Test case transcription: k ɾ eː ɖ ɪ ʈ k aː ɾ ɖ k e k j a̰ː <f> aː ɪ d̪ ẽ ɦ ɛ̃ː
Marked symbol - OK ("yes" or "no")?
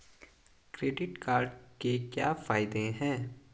yes